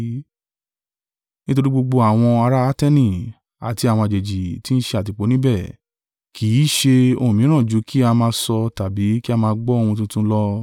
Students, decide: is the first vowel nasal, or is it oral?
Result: nasal